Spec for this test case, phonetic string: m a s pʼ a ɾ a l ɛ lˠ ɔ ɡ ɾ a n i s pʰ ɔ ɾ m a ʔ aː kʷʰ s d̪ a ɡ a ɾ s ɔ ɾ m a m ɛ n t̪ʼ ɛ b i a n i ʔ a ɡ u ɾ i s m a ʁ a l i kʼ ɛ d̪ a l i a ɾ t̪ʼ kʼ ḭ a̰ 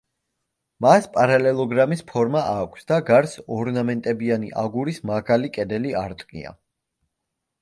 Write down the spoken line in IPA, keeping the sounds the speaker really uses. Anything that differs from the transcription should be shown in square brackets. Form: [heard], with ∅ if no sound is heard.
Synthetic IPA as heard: m a s pʼ a ɾ a l ɛ lˠ ɔ ɡ ɾ a [m] i s pʰ ɔ ɾ m a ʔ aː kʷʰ s d̪ a ɡ a ɾ s ɔ ɾ [n] a m ɛ n t̪ʼ ɛ b i a n i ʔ a ɡ u ɾ i s m a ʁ a l i kʼ ɛ d̪ [ɛ] l i a ɾ t̪ʼ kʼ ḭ a̰